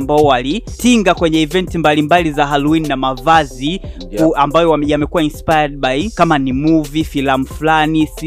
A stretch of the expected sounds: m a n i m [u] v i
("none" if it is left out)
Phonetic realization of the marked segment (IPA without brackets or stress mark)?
u